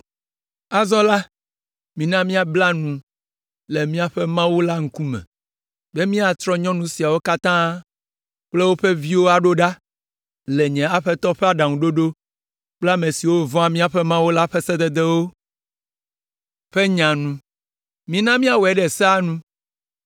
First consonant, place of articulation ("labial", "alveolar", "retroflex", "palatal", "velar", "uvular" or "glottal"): alveolar